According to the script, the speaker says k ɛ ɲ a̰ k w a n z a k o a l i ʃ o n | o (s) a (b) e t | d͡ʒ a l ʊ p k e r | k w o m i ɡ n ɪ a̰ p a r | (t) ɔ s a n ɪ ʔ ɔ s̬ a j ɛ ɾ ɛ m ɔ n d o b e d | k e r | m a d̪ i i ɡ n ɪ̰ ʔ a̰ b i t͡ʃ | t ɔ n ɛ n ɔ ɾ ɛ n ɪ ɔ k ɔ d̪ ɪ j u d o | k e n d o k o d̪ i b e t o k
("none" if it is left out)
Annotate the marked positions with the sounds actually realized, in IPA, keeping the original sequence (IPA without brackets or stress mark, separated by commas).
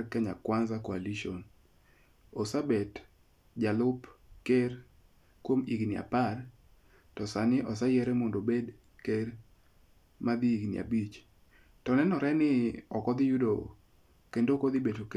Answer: s, b, t